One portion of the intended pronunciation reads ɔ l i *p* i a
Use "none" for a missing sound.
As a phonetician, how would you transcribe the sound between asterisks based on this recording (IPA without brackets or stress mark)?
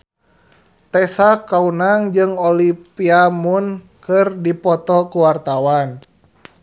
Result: p